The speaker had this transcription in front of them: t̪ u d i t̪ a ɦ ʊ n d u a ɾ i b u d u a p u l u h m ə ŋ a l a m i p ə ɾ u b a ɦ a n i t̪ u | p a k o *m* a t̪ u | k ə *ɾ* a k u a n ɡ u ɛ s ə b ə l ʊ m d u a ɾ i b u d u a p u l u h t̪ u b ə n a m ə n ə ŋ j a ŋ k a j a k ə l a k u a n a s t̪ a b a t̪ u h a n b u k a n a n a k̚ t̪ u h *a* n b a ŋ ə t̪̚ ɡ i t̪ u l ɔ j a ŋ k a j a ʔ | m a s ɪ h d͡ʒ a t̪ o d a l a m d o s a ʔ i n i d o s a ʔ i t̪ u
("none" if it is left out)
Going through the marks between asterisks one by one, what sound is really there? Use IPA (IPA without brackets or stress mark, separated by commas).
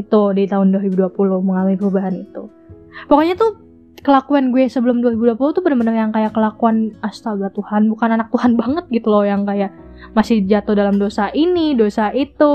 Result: ɲ, l, a